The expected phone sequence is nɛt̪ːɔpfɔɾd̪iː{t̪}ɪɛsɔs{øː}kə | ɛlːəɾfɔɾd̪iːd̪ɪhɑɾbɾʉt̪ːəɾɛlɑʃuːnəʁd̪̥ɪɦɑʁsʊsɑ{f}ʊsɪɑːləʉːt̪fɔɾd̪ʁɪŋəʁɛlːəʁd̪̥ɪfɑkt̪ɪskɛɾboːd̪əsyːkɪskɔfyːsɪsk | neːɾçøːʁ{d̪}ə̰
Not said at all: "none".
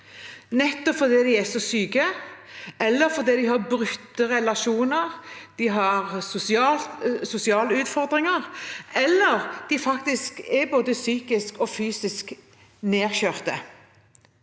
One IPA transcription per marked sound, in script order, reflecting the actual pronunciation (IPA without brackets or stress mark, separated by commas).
d̪, yː, s, t̪